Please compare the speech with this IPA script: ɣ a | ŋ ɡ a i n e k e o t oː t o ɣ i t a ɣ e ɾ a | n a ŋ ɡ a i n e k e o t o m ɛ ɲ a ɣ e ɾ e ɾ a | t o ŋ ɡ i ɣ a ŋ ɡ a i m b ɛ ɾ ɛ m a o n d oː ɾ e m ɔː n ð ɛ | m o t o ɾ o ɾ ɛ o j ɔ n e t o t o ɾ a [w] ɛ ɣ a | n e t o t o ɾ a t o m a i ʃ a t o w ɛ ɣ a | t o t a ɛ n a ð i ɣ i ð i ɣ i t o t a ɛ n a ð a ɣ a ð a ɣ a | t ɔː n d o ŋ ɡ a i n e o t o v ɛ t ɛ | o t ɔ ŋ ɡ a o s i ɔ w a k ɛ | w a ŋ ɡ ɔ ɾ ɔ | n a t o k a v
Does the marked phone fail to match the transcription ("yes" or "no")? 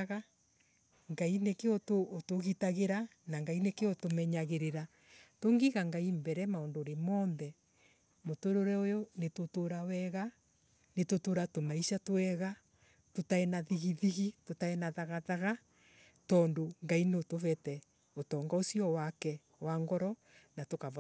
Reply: no